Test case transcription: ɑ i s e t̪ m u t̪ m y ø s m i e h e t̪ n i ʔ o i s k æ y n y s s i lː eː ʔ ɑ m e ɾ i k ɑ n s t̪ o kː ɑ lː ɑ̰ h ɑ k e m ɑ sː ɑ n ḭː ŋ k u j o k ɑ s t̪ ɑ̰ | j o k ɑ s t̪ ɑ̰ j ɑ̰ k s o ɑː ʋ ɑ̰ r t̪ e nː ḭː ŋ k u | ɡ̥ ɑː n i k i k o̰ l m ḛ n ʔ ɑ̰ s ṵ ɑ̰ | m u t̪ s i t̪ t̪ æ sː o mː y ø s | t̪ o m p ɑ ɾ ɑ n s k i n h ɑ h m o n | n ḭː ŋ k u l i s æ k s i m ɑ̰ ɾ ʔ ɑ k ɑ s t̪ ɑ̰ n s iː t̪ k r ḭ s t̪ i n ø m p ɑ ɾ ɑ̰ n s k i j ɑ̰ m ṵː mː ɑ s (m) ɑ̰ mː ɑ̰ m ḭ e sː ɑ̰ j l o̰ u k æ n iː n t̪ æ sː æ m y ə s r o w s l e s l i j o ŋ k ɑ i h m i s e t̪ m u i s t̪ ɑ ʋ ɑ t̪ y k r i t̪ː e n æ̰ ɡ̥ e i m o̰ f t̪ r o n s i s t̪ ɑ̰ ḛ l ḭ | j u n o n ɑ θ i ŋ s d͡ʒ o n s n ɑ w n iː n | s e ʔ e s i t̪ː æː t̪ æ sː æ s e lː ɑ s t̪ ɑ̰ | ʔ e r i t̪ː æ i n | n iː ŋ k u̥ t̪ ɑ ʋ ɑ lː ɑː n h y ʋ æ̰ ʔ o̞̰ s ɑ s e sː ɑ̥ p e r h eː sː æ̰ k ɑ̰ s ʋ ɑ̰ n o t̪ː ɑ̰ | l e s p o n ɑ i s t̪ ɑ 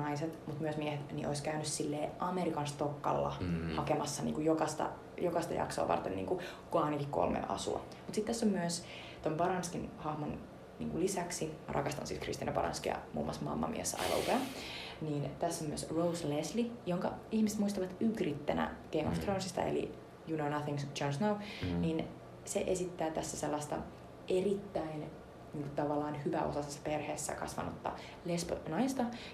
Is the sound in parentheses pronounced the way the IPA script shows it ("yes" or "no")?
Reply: yes